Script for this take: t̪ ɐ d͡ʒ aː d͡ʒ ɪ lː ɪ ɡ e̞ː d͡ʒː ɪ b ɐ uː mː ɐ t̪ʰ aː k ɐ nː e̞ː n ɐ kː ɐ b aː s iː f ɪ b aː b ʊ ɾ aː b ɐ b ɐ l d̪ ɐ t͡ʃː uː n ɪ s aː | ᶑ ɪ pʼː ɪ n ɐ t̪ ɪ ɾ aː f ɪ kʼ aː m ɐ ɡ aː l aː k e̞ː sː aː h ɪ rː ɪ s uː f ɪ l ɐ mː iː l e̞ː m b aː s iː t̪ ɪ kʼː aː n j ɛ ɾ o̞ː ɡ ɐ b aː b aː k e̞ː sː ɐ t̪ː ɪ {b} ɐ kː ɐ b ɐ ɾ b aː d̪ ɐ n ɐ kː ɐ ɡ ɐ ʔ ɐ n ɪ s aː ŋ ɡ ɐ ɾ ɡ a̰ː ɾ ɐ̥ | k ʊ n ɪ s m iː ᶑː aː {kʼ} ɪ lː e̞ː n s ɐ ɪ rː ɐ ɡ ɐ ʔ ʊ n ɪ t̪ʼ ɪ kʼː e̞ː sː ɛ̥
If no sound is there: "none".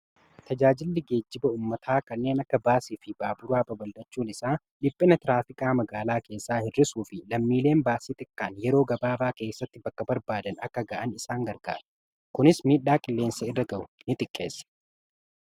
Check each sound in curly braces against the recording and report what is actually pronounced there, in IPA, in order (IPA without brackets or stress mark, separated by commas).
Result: b, kʼ